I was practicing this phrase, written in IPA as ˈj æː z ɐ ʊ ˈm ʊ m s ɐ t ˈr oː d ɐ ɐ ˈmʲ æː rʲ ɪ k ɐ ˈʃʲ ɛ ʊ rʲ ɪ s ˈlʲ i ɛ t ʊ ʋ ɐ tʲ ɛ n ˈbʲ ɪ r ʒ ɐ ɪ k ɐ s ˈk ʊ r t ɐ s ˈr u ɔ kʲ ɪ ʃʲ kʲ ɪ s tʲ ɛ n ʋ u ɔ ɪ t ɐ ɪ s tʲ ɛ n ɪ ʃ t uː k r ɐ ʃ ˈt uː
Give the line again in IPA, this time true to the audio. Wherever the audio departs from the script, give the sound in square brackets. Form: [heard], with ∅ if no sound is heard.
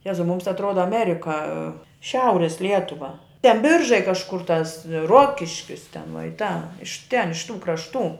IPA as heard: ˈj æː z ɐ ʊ ˈm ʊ m s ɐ t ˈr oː d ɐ ɐ ˈmʲ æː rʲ ɪ k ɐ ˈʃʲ ɛ ʊ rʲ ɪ s ˈlʲ i ɛ t ʊ ʋ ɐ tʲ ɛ n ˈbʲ ɪ r ʒ ɐ ɪ k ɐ [ʃ] ˈk ʊ r t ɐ s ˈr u ɔ kʲ ɪ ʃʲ kʲ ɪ s tʲ ɛ n ʋ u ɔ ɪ t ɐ ɪ [ʃ] tʲ ɛ n ɪ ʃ t uː k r ɐ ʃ ˈt uː